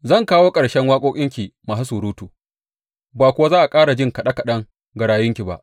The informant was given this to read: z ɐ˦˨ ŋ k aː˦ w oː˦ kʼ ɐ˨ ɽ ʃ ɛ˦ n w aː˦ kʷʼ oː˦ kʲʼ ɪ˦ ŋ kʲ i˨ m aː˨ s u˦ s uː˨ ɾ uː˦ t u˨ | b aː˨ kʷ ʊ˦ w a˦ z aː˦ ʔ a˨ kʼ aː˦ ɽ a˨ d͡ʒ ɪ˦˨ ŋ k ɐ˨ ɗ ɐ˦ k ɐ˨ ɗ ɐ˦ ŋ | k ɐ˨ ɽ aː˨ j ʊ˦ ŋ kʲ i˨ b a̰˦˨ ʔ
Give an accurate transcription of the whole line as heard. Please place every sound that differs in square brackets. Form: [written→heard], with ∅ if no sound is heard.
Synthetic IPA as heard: z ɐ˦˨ ŋ k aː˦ w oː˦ kʼ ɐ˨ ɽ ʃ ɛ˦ [n→ŋ] w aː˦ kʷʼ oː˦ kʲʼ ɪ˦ ŋ kʲ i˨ m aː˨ s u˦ s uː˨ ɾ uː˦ t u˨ | b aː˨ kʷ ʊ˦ w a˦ z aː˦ ʔ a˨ kʼ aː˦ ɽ a˨ d͡ʒ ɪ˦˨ ŋ k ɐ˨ ɗ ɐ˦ k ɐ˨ ɗ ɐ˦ ŋ | [k→ɡ] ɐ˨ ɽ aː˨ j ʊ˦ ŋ kʲ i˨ b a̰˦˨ ʔ